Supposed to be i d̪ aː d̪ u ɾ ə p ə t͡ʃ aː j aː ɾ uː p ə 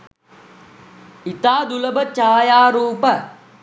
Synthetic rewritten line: i t̪ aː d̪ u l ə b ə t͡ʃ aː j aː ɾ uː p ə